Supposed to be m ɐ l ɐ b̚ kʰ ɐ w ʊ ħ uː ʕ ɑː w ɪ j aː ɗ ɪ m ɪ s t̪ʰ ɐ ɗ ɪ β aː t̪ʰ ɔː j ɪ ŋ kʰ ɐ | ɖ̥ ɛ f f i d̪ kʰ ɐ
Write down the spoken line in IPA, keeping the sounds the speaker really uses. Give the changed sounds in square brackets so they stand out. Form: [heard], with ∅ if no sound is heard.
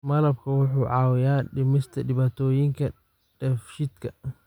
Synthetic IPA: m ɐ l ɐ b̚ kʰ ɐ w ʊ ħ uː ʕ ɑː w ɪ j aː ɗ ɪ m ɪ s t̪ʰ ɐ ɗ ɪ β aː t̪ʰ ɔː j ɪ ŋ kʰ ɐ | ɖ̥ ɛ f [ʃ] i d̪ kʰ ɐ